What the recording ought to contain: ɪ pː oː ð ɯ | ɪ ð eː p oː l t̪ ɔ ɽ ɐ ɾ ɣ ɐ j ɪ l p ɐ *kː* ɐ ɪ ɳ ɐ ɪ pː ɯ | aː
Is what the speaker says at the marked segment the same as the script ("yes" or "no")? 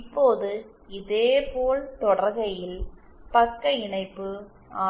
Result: yes